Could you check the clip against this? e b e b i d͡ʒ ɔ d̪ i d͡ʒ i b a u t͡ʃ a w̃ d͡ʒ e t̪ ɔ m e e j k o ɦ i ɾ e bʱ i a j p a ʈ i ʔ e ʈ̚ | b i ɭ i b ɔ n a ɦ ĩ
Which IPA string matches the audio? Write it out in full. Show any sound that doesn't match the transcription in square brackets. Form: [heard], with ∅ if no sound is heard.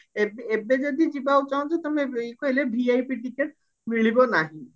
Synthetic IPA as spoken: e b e b [e] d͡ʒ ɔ d̪ i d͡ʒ i b a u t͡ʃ a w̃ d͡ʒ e t̪ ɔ m e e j k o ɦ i [l] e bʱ i a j p [i] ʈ i [k] e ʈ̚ | [m] i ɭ i b ɔ n a ɦ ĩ

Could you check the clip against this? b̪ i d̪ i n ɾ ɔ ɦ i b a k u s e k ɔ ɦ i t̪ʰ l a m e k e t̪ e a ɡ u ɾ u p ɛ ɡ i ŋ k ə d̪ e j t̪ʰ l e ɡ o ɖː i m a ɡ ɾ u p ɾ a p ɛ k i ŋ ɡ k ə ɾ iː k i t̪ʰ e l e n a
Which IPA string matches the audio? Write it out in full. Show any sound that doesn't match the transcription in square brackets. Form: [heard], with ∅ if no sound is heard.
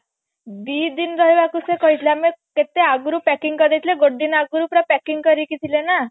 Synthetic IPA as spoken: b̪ i d̪ i n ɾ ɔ ɦ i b a k u s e k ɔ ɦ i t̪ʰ l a m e k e t̪ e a ɡ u ɾ u p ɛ [k] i ŋ k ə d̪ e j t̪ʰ l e ɡ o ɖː i [n] a ɡ ɾ u p ɾ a p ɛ k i ŋ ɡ k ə ɾ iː k i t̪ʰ [i] l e n a

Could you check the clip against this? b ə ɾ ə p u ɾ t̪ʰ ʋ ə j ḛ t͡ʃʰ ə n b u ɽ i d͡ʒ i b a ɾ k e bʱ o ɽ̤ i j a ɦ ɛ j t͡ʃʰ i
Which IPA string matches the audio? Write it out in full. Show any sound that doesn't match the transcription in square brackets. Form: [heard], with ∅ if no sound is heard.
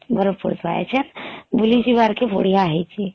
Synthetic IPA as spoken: b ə ɾ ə p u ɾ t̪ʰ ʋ [a] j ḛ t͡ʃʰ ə n b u [l] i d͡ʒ i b a ɾ k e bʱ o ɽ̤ i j a ɦ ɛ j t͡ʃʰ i

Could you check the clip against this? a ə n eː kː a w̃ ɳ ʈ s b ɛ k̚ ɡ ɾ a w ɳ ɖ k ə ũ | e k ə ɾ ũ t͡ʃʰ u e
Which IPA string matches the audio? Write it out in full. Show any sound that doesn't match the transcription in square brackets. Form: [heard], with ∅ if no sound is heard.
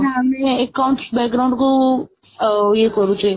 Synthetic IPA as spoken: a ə [m] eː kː a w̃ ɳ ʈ s b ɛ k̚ ɡ ɾ a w ɳ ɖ k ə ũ | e k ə ɾ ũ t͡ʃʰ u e

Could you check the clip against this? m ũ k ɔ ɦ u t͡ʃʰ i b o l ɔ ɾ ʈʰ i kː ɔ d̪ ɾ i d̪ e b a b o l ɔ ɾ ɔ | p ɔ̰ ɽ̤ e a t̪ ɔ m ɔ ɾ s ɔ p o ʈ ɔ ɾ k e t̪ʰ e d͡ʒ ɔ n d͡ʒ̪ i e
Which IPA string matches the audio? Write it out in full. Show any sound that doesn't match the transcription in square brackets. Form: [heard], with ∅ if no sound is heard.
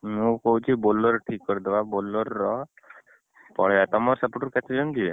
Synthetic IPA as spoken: m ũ k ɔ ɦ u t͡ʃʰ i b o l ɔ ɾ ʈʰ i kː ɔ [∅] ɾ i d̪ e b a b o l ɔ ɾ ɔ | p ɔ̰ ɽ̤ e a t̪ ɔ m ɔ ɾ s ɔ p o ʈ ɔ ɾ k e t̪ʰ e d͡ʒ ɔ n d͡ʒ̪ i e

